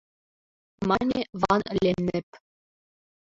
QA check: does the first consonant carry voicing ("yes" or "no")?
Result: yes